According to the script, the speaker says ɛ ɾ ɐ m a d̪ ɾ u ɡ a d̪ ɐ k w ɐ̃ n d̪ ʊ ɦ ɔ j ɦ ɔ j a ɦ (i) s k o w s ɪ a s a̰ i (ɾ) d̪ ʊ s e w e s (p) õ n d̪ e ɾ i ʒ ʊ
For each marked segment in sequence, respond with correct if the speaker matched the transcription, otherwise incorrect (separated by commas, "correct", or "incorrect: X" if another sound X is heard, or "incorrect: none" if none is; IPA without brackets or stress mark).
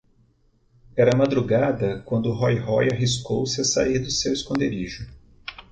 correct, correct, incorrect: k